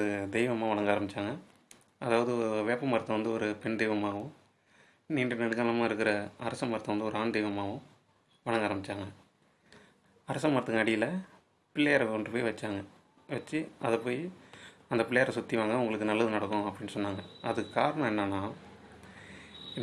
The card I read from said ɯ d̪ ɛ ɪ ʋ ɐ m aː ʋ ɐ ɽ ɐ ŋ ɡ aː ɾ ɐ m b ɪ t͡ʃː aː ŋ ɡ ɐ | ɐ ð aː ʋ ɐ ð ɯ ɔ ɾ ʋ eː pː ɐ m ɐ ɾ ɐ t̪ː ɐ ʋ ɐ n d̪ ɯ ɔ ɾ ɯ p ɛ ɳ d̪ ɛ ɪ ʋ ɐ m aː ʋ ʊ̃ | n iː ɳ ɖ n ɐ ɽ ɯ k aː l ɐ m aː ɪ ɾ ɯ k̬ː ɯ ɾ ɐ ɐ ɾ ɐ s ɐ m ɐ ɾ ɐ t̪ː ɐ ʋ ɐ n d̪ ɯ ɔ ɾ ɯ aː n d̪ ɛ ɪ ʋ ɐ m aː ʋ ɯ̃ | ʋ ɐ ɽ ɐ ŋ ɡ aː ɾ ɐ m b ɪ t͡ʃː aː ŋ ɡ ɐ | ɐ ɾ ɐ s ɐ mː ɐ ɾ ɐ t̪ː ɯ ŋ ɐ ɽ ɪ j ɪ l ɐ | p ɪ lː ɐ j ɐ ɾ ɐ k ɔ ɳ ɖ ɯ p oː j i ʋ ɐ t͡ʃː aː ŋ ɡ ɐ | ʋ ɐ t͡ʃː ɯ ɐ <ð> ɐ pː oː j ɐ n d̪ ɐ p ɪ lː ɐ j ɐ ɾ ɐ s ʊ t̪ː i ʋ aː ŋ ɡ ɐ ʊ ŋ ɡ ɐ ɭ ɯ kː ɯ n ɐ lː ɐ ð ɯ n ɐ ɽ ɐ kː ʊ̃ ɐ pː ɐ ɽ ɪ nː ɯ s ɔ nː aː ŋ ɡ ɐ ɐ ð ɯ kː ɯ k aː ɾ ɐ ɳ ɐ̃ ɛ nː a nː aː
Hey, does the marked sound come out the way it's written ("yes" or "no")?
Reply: yes